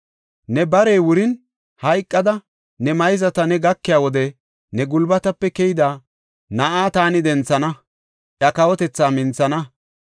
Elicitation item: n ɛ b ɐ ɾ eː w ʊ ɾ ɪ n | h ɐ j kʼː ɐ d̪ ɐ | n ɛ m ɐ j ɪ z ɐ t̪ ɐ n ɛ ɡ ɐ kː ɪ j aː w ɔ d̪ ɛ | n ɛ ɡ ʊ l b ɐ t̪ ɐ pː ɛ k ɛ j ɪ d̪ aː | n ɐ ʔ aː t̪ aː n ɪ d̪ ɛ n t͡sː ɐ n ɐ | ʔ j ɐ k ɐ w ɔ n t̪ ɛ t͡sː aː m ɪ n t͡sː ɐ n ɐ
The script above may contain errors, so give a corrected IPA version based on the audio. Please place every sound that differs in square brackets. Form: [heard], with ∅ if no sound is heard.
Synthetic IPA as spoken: n ɛ b ɐ ɾ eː w ʊ ɾ ɪ n | h ɐ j kʼː ɐ d̪ ɐ | n ɛ m ɐ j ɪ z ɐ t̪ ɐ n ɛ ɡ ɐ kː ɪ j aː w ɔ d̪ ɛ | n ɛ ɡ ʊ l b ɐ t̪ ɐ pː ɛ k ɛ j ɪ d̪ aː | n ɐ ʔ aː t̪ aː n ɪ d̪ ɛ n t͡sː ɐ n ɐ | ʔ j ɐ k ɐ w ɔ [∅] t̪ ɛ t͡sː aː m ɪ n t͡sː ɐ n ɐ

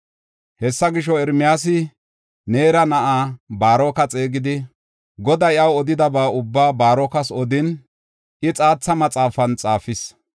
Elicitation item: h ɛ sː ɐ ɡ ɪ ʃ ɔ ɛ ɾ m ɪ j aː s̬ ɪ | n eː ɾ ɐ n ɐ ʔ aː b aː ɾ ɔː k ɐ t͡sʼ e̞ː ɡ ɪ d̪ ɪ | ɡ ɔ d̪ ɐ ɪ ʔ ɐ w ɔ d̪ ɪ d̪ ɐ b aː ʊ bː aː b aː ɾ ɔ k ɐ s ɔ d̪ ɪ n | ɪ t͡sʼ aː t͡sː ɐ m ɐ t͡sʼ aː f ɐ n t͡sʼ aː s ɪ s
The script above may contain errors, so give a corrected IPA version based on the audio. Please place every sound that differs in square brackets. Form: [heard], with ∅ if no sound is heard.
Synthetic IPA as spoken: h ɛ sː ɐ ɡ ɪ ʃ ɔ ɛ ɾ m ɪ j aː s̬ ɪ | n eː ɾ ɐ n ɐ ʔ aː b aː ɾ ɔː k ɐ t͡sʼ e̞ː ɡ ɪ d̪ ɪ | ɡ ɔ d̪ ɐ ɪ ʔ ɐ w ɔ d̪ ɪ d̪ ɐ b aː ʊ bː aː b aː ɾ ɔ k ɐ s ɔ d̪ ɪ n | ɪ t͡sʼ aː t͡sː ɐ m ɐ t͡sʼ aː f ɐ n t͡sʼ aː [f] ɪ s

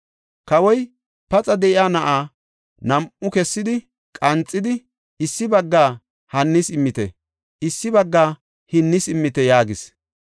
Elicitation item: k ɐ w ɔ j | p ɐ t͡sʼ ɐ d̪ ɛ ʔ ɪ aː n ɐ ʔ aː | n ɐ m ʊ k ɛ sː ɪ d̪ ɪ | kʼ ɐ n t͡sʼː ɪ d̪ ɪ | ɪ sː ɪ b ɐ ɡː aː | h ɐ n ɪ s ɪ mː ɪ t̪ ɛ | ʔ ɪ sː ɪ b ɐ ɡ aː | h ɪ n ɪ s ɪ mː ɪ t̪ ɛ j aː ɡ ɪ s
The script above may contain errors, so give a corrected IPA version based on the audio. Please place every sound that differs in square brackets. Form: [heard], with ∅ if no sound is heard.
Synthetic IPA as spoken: k ɐ w ɔ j | p ɐ t͡sʼ ɐ d̪ ɛ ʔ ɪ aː n ɐ ʔ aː | n ɐ m ʊ k ɛ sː ɪ d̪ ɪ | kʼ ɐ n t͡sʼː ɪ d̪ ɪ | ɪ sː ɪ b ɐ ɡː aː | h ɐ [nː] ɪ s ɪ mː ɪ t̪ ɛ | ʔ ɪ sː ɪ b ɐ [ɡː] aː | h ɪ [nː] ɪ s ɪ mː ɪ t̪ ɛ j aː ɡ ɪ s

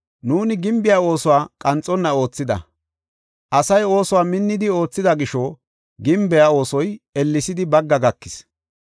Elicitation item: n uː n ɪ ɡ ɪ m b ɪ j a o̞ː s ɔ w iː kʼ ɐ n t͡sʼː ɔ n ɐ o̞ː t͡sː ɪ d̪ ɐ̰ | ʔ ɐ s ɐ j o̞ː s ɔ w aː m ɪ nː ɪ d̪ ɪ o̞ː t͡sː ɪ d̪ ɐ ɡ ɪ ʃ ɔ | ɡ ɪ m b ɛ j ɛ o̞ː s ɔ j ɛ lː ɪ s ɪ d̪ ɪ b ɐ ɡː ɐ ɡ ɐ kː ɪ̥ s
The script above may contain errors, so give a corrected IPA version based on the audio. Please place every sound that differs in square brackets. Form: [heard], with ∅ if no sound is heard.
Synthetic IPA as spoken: n uː n ɪ ɡ ɪ m b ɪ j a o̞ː s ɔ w [aː] kʼ ɐ n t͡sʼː ɔ [nː] ɐ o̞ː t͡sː ɪ d̪ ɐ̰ | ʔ ɐ s ɐ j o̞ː s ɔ w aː m ɪ nː ɪ d̪ ɪ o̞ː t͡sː ɪ d̪ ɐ ɡ ɪ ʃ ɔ | ɡ ɪ m b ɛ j [a] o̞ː s ɔ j ɛ lː ɪ s ɪ d̪ ɪ b ɐ ɡː ɐ ɡ ɐ kː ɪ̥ s

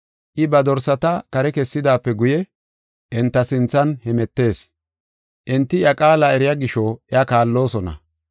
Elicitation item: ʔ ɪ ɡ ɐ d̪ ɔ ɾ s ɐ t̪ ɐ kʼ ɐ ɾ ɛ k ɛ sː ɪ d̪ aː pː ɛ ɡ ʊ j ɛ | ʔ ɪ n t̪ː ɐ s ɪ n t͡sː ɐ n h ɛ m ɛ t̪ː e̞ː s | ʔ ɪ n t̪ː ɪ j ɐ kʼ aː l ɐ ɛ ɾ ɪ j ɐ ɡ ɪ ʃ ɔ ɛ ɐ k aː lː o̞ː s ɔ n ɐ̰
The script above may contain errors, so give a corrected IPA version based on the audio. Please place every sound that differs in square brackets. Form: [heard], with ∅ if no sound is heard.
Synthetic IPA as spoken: ʔ ɪ [b] ɐ d̪ ɔ ɾ s ɐ t̪ ɐ [k] ɐ ɾ ɛ k ɛ sː ɪ d̪ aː pː ɛ ɡ ʊ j ɛ | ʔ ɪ n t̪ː ɐ s ɪ n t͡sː ɐ n h ɛ m ɛ t̪ː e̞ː s | ʔ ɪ n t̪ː ɪ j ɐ kʼ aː l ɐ ɛ ɾ ɪ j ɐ ɡ ɪ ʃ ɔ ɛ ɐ k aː lː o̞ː s ɔ n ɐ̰

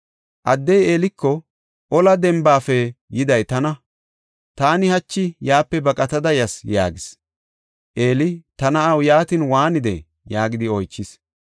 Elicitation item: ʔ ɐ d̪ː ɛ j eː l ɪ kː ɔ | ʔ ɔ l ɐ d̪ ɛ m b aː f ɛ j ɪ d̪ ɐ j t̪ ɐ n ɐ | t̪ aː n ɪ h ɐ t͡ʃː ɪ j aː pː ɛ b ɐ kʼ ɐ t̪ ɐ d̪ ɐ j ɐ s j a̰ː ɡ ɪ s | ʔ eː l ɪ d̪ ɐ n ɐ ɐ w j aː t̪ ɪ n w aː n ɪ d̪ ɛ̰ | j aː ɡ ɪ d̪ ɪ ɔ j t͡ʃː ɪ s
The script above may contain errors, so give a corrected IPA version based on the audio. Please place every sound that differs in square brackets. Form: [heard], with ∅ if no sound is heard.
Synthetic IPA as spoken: ʔ ɐ d̪ː ɛ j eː l ɪ kː ɔ | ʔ ɔ l ɐ d̪ ɛ m b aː f ɛ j ɪ d̪ ɐ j t̪ ɐ n ɐ | t̪ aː n ɪ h ɐ t͡ʃː ɪ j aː pː ɛ b ɐ kʼ ɐ t̪ ɐ d̪ ɐ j ɐ s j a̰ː ɡ ɪ s | ʔ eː l ɪ [t̪] ɐ n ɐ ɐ w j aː t̪ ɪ n w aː n ɪ d̪ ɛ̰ | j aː ɡ ɪ d̪ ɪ ɔ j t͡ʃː ɪ s

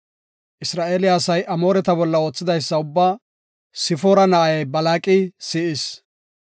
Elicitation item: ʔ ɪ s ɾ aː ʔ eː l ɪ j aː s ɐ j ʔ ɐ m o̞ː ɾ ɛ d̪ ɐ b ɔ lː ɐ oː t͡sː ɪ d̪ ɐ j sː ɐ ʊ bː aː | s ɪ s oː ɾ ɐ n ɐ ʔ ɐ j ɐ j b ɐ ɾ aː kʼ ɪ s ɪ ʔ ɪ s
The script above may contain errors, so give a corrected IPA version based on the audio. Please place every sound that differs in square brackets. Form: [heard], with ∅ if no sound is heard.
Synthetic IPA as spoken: ʔ ɪ s ɾ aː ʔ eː l ɪ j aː s ɐ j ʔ ɐ m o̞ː ɾ ɛ [t̪] ɐ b ɔ lː ɐ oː t͡sː ɪ d̪ ɐ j sː ɐ ʊ bː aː | s ɪ [f] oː ɾ ɐ n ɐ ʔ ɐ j ɐ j b ɐ [l] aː kʼ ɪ s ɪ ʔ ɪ s

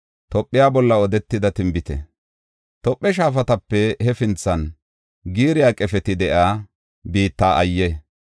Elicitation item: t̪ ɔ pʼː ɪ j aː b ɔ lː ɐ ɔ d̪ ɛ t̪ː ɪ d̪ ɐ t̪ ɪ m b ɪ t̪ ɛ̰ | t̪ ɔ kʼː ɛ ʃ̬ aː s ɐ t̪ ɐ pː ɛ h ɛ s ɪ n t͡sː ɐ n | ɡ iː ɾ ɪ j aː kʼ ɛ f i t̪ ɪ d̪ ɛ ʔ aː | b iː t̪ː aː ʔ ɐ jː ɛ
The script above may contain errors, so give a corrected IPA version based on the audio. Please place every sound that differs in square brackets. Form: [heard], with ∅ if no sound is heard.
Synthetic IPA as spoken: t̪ ɔ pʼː ɪ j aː b ɔ lː ɐ ɔ d̪ ɛ t̪ː ɪ d̪ ɐ t̪ ɪ m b ɪ t̪ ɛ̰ | t̪ ɔ [pʼː] ɛ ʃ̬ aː [f] ɐ t̪ ɐ pː ɛ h ɛ [f] ɪ n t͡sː ɐ n | ɡ iː ɾ ɪ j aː kʼ ɛ f [ɛ] t̪ ɪ d̪ ɛ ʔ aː | b iː t̪ː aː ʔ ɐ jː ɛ

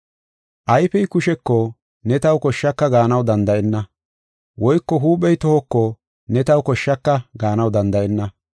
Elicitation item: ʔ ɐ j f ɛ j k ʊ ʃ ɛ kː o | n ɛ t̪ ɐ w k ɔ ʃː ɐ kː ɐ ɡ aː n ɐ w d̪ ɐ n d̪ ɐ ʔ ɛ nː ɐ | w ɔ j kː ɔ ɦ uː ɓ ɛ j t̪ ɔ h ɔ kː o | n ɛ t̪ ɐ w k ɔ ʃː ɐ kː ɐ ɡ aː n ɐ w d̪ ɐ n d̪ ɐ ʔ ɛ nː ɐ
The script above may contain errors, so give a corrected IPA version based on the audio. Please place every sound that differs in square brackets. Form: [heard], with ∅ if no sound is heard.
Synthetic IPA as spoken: ʔ ɐ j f ɛ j k ʊ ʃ ɛ kː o | n ɛ t̪ ɐ w k ɔ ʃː ɐ kː ɐ ɡ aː n ɐ w d̪ ɐ n d̪ ɐ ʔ ɛ nː ɐ | w ɔ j kː ɔ ɦ uː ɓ ɛ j t̪ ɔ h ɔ kː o | n ɛ t̪ ɐ w k ɔ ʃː ɐ kː ɐ ɡ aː n ɐ w d̪ ɐ n d̪ ɐ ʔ ɛ nː ɐ

